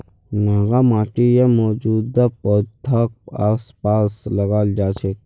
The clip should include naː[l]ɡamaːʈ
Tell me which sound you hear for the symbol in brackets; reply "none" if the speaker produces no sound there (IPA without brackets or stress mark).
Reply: none